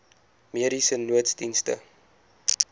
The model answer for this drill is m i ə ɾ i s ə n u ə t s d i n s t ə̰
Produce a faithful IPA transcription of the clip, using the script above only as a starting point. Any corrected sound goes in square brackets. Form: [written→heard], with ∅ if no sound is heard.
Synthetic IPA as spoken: m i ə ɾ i s ə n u ə t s d i n s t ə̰